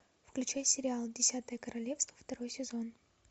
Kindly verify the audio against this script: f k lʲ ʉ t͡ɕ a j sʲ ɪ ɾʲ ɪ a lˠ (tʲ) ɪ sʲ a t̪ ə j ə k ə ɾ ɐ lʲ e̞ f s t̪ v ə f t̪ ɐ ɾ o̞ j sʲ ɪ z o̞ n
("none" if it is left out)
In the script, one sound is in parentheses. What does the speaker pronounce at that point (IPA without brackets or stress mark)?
dʲ